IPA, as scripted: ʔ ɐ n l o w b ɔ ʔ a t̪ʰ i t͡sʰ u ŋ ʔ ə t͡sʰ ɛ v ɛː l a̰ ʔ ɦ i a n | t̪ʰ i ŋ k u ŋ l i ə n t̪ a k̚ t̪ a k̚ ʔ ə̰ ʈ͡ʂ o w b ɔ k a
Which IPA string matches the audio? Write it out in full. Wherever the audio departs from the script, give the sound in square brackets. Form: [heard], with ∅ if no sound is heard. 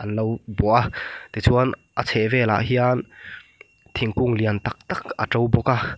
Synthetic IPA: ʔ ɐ n l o w b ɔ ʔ a [t̪] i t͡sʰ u [n] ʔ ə t͡sʰ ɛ v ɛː l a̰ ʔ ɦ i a n | t̪ʰ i ŋ k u ŋ l i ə n t̪ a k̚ t̪ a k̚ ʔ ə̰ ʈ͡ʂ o w b ɔ k a